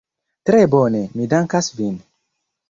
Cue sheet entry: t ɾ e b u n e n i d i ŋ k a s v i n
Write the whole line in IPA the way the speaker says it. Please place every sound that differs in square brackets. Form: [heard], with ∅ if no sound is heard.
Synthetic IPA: t ɾ e b [o] n e [m] i d [a] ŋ k a s v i n